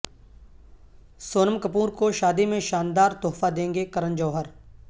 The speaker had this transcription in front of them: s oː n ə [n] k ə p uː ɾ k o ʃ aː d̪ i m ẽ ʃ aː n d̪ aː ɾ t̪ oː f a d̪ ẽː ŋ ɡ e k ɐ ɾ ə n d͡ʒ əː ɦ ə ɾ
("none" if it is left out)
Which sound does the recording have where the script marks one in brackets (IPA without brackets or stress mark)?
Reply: m